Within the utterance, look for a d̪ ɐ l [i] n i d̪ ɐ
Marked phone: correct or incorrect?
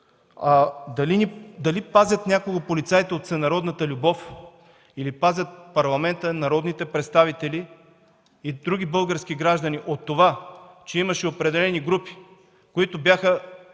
correct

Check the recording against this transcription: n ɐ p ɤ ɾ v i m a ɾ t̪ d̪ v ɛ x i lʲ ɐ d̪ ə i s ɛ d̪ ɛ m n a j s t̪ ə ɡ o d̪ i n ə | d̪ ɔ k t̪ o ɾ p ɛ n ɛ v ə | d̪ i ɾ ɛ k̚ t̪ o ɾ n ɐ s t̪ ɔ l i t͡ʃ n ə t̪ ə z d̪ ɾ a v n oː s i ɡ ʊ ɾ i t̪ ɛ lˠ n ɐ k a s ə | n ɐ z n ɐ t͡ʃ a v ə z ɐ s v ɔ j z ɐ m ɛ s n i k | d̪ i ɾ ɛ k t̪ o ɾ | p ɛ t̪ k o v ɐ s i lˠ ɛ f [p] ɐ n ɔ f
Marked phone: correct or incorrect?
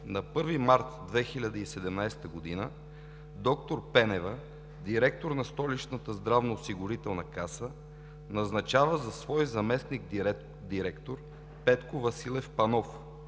correct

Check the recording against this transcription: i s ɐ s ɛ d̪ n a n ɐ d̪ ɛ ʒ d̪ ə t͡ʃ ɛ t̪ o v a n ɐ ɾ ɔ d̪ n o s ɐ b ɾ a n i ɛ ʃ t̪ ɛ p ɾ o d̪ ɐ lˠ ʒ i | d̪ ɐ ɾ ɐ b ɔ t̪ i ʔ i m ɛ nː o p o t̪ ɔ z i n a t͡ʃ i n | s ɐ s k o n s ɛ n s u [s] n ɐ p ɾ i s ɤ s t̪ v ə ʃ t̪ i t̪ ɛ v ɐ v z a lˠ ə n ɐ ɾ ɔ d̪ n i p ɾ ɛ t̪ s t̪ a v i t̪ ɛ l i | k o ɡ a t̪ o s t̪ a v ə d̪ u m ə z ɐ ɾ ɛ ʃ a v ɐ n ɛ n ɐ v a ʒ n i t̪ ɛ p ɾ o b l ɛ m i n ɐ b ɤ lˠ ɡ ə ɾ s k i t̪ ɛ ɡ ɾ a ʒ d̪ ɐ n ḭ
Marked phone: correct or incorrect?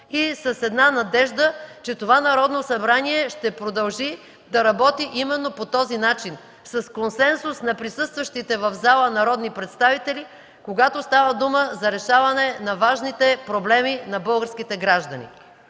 correct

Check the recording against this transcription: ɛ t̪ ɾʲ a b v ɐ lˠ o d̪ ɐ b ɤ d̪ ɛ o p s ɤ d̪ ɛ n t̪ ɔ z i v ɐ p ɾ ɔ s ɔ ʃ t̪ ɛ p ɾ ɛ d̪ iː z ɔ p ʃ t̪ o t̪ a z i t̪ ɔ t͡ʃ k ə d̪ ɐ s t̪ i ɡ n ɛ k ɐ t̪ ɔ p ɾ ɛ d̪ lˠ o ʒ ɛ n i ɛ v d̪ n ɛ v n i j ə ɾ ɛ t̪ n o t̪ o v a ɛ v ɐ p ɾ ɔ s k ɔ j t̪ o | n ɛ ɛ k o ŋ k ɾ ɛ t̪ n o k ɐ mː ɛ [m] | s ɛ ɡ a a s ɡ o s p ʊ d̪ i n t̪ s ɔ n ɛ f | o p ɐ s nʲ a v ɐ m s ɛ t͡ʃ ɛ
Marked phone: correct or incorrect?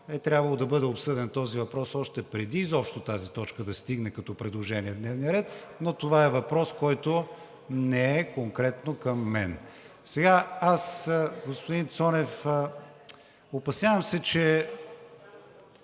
incorrect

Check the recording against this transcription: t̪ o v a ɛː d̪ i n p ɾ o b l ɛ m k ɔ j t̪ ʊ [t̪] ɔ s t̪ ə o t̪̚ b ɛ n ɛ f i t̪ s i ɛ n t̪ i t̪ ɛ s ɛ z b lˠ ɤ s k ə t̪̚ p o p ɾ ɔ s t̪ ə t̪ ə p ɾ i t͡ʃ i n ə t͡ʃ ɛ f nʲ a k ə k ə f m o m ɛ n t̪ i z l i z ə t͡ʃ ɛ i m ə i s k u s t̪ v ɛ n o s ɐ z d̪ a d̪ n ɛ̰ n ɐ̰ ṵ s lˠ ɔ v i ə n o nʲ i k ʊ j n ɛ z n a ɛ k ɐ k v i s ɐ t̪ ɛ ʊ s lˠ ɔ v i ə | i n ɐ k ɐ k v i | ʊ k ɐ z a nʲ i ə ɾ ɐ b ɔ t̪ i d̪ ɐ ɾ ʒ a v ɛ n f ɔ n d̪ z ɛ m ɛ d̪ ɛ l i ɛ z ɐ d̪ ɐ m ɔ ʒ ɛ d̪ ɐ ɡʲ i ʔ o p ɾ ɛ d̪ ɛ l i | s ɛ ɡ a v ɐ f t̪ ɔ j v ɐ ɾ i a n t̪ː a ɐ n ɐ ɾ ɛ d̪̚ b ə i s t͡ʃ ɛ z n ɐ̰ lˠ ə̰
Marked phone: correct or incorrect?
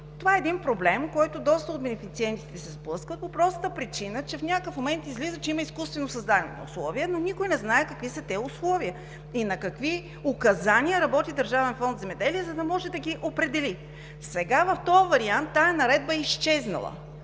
incorrect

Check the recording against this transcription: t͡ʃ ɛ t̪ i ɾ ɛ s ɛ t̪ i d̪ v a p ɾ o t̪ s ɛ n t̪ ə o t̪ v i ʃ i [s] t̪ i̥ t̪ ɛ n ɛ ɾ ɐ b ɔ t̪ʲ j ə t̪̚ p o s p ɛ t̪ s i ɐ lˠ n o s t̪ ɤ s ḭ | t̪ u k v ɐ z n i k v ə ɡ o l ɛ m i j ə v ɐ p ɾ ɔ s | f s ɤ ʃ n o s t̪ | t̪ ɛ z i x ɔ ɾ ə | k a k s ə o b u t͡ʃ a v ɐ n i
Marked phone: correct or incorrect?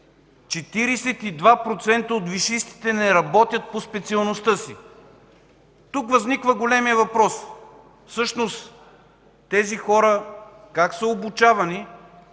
correct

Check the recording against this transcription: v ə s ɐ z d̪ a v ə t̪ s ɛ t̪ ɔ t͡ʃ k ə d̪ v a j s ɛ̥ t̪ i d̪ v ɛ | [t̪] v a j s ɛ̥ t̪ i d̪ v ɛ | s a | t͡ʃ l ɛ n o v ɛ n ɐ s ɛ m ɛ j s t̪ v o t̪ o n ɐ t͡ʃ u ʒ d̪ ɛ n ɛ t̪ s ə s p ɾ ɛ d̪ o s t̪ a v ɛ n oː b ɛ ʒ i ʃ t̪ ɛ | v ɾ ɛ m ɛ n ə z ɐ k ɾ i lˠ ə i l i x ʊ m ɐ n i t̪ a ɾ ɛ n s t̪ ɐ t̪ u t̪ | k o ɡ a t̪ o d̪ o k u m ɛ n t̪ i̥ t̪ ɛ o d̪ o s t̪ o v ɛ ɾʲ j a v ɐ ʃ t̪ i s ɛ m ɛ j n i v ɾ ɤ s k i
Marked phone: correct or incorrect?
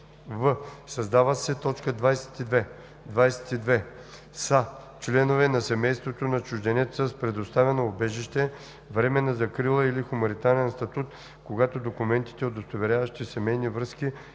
incorrect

